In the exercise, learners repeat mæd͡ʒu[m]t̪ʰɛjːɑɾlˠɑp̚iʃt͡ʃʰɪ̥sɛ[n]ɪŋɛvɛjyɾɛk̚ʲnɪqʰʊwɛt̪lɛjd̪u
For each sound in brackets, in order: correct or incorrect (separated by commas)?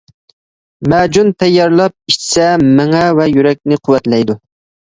incorrect, incorrect